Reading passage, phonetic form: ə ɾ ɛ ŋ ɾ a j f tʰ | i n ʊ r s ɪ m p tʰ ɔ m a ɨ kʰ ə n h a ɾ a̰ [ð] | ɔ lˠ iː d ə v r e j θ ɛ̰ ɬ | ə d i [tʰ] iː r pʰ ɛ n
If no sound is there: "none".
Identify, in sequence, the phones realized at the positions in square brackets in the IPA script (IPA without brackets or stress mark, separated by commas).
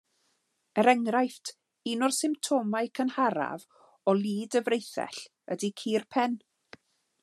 v, kʰ